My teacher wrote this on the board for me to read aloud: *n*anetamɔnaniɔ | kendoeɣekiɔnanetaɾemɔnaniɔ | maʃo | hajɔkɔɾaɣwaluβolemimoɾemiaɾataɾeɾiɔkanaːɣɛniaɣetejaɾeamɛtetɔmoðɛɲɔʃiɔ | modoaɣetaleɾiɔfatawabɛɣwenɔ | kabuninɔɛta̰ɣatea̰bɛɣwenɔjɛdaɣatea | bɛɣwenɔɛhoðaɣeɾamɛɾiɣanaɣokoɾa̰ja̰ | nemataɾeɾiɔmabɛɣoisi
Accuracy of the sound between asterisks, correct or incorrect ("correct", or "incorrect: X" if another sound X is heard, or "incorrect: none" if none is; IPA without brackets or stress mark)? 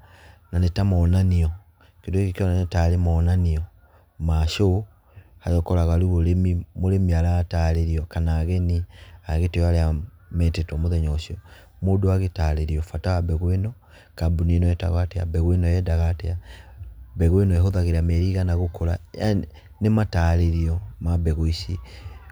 correct